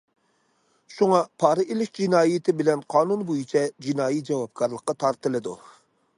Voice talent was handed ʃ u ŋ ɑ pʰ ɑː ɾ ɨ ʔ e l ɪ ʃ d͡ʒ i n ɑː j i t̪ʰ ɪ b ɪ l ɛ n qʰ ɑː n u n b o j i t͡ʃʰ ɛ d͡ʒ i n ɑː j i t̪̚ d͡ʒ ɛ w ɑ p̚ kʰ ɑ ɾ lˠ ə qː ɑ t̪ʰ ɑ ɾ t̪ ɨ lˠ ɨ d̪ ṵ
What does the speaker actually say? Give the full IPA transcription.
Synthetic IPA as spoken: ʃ u ŋ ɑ pʰ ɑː ɾ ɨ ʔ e l ɪ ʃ d͡ʒ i n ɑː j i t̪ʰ ɪ b ɪ l ɛ n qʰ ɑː n u n b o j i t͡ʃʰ ɛ d͡ʒ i n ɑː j i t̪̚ d͡ʒ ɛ w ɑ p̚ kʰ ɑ ɾ lˠ ə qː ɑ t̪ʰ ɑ ɾ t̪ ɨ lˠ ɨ d̪ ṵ